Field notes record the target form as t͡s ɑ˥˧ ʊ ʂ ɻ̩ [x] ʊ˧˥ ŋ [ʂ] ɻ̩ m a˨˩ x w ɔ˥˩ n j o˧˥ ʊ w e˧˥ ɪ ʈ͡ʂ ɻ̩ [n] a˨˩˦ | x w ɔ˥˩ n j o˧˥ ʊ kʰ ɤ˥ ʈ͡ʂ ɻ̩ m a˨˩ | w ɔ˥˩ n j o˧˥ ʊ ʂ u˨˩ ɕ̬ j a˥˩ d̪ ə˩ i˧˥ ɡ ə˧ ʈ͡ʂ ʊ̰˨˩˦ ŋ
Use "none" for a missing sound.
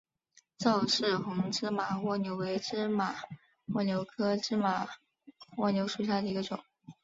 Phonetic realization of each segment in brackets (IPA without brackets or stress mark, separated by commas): x, ʈ͡ʂ, m